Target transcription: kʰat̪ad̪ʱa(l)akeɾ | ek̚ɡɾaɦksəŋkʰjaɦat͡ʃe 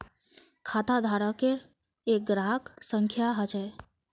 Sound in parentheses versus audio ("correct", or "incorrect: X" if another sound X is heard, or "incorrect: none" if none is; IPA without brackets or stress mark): incorrect: ɾ